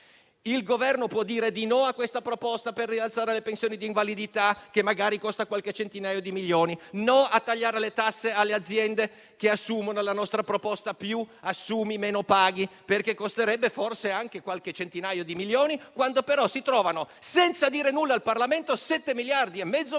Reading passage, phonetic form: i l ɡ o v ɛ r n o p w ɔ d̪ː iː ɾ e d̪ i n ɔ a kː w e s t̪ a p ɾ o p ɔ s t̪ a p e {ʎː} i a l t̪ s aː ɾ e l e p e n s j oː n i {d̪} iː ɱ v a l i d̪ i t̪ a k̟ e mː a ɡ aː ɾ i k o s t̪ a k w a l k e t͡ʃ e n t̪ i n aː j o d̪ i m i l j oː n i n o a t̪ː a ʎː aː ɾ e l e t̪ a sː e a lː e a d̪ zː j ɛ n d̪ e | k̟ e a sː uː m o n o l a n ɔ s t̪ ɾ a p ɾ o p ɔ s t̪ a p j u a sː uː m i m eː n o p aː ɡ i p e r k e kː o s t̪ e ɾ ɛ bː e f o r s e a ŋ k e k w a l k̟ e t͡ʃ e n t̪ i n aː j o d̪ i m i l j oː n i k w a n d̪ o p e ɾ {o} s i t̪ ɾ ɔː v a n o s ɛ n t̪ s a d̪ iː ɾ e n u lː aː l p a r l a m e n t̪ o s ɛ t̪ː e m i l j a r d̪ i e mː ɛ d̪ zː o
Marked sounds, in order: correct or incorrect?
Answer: incorrect, correct, incorrect

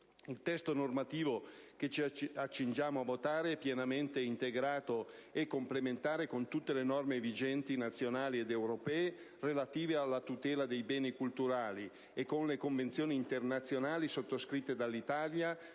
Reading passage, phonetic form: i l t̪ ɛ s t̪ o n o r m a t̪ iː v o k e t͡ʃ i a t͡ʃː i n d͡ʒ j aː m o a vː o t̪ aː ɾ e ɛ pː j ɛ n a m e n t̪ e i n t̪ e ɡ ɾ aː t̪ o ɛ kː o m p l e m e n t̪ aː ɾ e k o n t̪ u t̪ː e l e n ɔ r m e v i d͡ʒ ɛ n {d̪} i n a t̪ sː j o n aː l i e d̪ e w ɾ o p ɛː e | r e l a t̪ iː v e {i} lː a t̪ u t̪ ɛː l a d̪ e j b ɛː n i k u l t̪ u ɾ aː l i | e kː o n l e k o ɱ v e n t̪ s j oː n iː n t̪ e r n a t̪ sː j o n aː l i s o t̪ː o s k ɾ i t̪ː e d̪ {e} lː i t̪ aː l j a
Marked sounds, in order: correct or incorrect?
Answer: incorrect, incorrect, incorrect

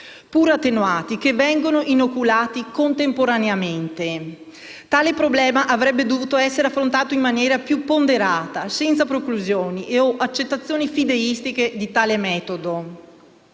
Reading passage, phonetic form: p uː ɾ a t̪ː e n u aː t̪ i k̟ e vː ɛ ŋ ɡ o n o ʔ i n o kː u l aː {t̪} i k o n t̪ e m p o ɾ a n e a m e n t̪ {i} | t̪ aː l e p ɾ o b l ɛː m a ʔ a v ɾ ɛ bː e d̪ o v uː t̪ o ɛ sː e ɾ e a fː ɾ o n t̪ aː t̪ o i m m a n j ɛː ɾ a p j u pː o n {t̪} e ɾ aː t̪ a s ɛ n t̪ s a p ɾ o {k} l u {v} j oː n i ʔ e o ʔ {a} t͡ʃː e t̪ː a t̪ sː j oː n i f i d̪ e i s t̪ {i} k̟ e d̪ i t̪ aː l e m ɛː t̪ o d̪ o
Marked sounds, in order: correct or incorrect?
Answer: correct, incorrect, incorrect, correct, incorrect, correct, correct

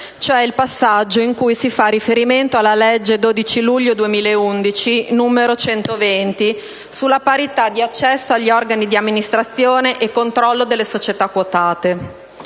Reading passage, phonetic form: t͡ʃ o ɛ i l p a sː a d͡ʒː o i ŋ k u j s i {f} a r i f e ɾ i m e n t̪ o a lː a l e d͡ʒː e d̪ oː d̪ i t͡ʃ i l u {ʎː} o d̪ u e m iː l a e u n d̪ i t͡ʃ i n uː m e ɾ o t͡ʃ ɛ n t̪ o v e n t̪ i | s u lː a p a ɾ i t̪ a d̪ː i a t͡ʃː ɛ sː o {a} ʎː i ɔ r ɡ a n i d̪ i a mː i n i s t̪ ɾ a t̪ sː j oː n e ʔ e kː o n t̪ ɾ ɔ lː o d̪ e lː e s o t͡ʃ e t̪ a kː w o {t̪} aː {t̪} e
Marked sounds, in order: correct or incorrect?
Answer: correct, correct, correct, correct, correct

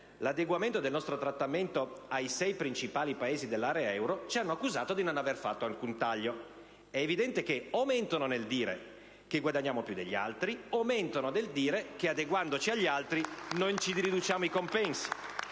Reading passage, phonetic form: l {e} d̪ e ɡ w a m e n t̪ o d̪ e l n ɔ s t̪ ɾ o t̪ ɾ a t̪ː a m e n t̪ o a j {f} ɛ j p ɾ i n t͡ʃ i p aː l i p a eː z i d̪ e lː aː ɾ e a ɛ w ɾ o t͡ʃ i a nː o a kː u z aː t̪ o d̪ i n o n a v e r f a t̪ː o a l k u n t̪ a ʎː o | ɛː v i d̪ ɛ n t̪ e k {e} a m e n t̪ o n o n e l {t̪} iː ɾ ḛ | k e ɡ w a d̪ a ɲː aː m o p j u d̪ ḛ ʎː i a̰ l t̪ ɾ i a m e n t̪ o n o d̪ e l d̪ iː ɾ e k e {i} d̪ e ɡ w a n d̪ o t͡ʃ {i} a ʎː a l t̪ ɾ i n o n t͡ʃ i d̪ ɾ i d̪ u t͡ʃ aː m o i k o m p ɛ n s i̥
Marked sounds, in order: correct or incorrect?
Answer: incorrect, incorrect, correct, incorrect, incorrect, correct

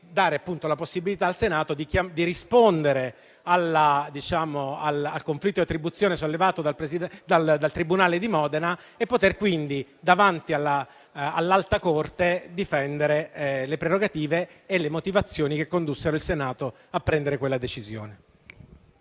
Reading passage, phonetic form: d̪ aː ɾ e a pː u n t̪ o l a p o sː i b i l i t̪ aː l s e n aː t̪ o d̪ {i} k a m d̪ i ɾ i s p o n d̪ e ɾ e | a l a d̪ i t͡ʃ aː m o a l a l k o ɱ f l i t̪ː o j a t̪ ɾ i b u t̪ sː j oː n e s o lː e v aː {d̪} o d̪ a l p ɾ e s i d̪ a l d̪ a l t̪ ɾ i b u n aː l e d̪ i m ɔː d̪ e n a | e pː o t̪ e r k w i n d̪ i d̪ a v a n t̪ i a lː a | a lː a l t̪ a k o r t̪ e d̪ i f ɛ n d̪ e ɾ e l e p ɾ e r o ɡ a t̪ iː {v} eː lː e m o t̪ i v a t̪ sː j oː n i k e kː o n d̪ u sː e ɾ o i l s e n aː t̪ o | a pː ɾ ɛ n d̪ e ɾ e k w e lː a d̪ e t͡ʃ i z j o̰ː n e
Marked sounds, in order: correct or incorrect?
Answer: correct, incorrect, correct

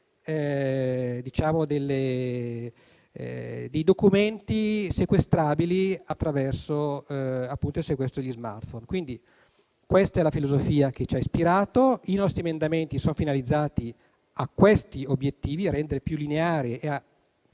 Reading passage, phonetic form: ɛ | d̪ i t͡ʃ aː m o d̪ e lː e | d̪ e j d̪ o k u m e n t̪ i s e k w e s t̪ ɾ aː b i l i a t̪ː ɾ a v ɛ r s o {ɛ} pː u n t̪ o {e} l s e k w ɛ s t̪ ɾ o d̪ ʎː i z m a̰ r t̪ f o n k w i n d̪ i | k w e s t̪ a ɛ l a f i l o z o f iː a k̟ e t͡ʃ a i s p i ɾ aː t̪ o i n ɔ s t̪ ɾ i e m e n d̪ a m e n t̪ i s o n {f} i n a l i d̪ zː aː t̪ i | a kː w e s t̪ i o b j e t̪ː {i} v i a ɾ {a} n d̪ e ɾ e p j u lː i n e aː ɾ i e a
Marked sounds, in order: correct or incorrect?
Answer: incorrect, incorrect, correct, incorrect, incorrect

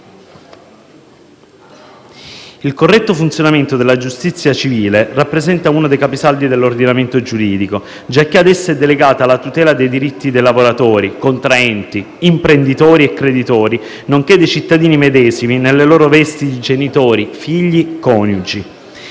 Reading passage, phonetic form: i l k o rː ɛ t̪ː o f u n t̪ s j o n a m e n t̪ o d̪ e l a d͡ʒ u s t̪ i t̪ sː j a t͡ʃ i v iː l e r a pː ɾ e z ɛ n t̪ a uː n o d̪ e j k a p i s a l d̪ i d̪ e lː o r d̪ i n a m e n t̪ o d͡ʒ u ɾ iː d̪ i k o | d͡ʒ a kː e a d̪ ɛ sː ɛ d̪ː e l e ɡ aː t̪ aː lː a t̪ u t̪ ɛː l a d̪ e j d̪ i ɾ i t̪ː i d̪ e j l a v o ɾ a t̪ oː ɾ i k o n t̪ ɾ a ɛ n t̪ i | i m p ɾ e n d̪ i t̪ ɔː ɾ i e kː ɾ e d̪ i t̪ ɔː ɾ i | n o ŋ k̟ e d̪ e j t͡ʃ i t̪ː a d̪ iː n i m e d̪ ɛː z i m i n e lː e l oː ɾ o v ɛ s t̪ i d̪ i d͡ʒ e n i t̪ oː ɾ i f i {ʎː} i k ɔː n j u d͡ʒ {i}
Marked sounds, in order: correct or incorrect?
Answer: correct, correct

